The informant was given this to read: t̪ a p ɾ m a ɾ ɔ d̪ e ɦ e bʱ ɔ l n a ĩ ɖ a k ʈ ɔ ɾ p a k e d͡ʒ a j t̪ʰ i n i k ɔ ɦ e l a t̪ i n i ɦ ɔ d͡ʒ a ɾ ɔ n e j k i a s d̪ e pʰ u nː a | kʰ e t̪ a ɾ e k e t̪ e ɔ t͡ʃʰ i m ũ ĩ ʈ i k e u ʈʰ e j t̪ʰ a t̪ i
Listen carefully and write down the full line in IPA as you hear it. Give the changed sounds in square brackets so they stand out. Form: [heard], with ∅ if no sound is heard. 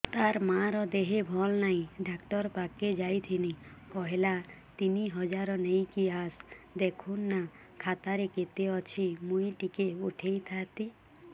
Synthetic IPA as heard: t̪ a [∅] ɾ m a ɾ ɔ d̪ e ɦ e bʱ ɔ l n a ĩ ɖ a k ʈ ɔ ɾ p a k e d͡ʒ a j t̪ʰ i n i k ɔ ɦ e l a t̪ i n i ɦ ɔ d͡ʒ a ɾ ɔ n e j k i a s d̪ e [kʰ] u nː a | kʰ [a] t̪ a ɾ e k e t̪ e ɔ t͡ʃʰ i m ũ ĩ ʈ i k e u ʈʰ e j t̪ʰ a t̪ i